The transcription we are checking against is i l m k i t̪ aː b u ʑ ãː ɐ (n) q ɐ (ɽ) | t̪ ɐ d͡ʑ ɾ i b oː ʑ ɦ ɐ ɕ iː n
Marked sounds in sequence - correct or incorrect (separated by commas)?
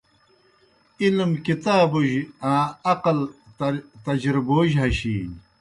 incorrect, incorrect